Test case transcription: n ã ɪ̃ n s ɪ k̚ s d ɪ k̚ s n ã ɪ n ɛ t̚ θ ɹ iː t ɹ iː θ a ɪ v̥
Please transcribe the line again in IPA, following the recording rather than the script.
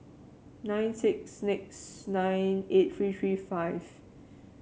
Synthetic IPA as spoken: n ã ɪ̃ n s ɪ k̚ s n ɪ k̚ s n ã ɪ n e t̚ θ ɹ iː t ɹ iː f a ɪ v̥